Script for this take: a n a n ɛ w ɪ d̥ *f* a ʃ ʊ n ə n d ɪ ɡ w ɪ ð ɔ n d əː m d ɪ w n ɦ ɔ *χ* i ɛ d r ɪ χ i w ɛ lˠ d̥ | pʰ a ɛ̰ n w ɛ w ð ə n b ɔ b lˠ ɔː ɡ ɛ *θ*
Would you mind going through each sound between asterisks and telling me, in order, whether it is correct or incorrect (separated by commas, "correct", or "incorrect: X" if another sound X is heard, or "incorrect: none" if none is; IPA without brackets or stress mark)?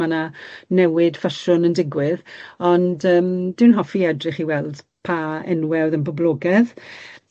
correct, incorrect: f, incorrect: ð